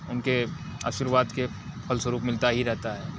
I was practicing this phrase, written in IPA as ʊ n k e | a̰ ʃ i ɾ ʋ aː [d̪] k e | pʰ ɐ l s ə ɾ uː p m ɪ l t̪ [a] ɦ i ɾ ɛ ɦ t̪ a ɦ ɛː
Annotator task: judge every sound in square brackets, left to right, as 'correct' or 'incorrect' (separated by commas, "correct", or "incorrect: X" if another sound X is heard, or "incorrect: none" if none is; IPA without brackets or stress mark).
correct, correct